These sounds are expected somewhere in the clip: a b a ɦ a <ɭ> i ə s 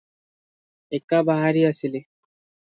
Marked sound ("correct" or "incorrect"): incorrect